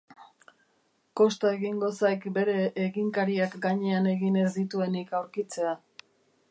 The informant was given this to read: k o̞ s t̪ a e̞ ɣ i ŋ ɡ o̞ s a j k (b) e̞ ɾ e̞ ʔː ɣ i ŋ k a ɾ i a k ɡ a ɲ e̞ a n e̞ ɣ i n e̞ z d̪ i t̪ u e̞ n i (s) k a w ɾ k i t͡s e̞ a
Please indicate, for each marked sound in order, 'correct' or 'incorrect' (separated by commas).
correct, incorrect